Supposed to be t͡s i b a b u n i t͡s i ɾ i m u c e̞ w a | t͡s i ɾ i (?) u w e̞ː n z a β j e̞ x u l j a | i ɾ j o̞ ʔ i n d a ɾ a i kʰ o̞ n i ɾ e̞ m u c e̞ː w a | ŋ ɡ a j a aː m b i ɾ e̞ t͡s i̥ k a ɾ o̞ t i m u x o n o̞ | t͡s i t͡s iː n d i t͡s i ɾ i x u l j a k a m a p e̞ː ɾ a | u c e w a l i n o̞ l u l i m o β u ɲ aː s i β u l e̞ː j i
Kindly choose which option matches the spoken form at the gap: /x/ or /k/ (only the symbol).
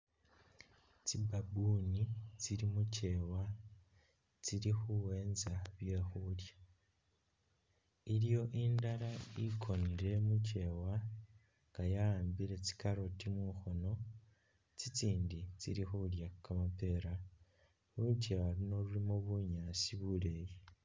x